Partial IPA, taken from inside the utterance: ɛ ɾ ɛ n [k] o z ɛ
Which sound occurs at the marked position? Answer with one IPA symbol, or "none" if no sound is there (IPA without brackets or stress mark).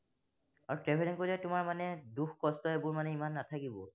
k